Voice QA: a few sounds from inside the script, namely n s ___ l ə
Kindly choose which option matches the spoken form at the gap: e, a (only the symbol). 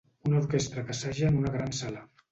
a